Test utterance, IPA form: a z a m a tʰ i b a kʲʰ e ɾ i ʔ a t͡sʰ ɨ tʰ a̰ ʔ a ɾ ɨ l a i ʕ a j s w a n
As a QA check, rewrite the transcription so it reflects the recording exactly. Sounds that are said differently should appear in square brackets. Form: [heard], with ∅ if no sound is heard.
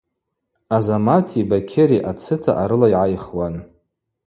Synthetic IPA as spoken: a z a m a tʰ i b a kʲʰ e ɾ i ʔ a t͡sʰ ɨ tʰ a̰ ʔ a ɾ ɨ l a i ʕ a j [χ] w a n